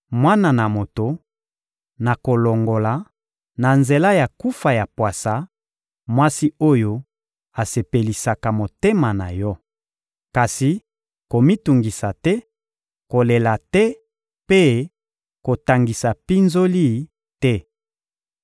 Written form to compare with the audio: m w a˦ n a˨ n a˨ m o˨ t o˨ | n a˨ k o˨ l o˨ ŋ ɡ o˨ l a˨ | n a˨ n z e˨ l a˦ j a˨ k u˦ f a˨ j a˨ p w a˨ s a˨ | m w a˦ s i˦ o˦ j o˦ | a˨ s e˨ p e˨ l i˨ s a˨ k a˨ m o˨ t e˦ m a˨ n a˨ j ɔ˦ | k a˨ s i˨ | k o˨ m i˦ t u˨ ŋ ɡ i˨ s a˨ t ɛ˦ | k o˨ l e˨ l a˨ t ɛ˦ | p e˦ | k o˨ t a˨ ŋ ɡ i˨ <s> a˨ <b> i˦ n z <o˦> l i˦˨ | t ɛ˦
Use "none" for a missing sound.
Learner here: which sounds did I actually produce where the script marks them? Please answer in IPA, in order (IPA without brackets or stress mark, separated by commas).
s, p, o˦